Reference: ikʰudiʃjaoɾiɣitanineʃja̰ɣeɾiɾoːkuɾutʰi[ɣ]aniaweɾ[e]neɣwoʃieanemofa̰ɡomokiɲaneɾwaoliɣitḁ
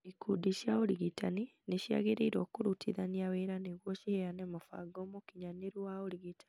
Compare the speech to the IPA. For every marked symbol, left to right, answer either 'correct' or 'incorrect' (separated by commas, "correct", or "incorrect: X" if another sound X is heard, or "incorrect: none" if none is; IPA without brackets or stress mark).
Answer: incorrect: ð, incorrect: a